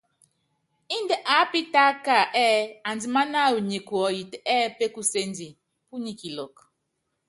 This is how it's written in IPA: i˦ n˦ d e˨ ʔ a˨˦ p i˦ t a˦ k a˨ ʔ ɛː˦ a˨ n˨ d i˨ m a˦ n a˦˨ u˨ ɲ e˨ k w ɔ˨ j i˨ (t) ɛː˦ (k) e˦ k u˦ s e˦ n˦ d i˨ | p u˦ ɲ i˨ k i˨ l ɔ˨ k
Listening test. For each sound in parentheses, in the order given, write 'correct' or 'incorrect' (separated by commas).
correct, incorrect